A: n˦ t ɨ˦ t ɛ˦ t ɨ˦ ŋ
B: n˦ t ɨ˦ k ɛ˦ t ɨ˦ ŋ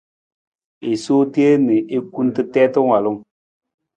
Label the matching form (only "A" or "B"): A